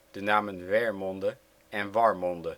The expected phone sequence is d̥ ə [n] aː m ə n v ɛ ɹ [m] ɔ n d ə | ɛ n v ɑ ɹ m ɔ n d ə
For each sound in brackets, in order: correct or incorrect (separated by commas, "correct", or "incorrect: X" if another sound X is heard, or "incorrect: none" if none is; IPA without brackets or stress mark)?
correct, correct